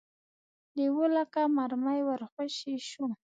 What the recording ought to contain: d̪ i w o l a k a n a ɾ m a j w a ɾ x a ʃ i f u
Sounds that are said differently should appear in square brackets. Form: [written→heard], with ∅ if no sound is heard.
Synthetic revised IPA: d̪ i w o l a k a [n→m] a ɾ m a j w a ɾ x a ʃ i [f→ʃ] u